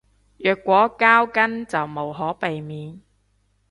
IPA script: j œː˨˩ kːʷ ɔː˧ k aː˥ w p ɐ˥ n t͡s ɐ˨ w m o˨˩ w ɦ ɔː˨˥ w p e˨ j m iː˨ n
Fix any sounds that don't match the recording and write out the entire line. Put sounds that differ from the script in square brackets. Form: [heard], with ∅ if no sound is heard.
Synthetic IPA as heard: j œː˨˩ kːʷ [ɔː˨˥] k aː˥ w [k] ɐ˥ n t͡s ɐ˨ w m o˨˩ w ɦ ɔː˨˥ [∅] p e˨ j m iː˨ n